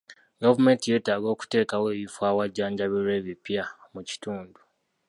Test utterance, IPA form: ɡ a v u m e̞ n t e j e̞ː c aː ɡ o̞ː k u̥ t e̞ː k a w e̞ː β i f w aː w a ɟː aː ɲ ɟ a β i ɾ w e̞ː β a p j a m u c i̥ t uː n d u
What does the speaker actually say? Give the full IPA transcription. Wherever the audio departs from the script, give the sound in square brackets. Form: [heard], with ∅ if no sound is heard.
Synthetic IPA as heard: ɡ a v u m e̞ n t [i] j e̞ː [t] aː ɡ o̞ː k u̥ t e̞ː k a w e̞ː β i f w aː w a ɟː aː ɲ ɟ a β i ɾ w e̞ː β [i] p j a m u c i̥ t uː n d u